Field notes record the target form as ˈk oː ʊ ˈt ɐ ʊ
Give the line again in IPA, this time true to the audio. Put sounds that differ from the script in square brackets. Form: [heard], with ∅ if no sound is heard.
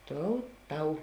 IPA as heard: [ˈt] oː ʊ ˈt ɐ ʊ